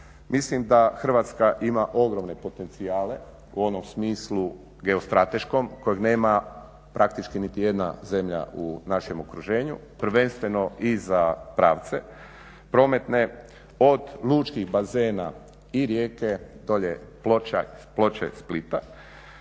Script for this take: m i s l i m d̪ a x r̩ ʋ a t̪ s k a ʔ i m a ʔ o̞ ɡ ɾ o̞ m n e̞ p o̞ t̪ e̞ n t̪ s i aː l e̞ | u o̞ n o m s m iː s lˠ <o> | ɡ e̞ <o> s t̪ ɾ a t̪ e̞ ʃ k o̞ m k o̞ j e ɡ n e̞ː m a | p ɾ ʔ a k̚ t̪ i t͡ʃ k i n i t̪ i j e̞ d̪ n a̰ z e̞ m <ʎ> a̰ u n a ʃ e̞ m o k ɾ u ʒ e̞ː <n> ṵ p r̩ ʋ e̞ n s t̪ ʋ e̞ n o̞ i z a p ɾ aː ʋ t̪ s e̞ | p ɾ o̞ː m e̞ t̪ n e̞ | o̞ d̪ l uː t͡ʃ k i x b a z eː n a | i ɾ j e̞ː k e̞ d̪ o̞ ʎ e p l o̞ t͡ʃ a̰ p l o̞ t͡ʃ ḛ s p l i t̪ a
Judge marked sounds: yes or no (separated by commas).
no, yes, yes, no